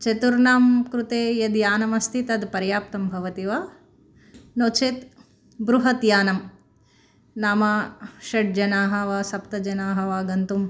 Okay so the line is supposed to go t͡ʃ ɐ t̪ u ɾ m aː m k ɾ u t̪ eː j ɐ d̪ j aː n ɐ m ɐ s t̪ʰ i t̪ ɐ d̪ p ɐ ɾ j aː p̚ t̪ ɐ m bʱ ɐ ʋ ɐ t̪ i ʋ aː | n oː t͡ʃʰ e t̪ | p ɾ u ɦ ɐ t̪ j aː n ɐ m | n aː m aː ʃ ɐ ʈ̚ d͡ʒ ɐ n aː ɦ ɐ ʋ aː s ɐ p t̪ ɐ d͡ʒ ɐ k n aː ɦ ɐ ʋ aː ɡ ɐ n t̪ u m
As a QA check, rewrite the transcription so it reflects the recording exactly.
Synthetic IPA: t͡ʃ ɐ t̪ u ɾ n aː m k ɾ u t̪ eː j ɐ d̪ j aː n ɐ m ɐ s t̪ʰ i t̪ ɐ d̪ p ɐ ɾ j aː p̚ t̪ ɐ m bʱ ɐ ʋ ɐ t̪ i ʋ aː | n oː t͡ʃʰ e t̪ | b ɾ u ɦ ɐ t̪ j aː n ɐ m | n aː m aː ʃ ɐ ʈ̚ d͡ʒ ɐ n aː ɦ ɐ ʋ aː s ɐ p t̪ ɐ d͡ʒ ɐ n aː ɦ ɐ ʋ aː ɡ ɐ n t̪ u m

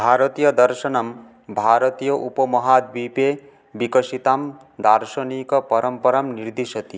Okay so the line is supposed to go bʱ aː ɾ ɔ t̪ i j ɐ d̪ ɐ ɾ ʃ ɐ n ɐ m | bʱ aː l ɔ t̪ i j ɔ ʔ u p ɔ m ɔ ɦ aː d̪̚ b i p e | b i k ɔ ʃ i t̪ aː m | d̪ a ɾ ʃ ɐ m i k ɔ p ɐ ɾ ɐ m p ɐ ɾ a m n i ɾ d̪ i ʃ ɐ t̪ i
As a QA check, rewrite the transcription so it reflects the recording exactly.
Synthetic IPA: bʱ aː ɾ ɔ t̪ i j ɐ d̪ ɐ ɾ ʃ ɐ n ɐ m | bʱ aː ɾ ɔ t̪ i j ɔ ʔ u p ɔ m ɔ ɦ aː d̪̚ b i p e | b i k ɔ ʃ i t̪ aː m | d̪ a ɾ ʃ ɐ n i k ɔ p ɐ ɾ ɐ m p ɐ ɾ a m n i ɾ d̪ i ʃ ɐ t̪ i

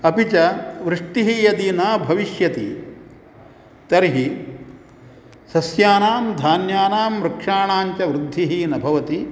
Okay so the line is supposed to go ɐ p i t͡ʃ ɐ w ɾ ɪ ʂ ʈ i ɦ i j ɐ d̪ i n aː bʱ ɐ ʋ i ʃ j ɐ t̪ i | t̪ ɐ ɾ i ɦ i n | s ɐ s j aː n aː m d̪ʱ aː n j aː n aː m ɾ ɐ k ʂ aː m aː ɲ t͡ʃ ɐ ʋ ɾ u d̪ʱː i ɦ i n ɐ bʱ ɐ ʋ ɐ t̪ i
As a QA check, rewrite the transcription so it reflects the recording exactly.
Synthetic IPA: ɐ p i t͡ʃ ɐ ʋ ɾ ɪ ʂ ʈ i ɦ i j ɐ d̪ i n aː bʱ ɐ ʋ i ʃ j ɐ t̪ i | t̪ ɐ ɾ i ɦ i | s ɐ s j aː n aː m d̪ʱ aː n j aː n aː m ɾ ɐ k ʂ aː ɳ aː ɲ t͡ʃ ɐ ʋ ɾ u d̪ʱː i ɦ i n ɐ bʱ ɐ ʋ ɐ t̪ i

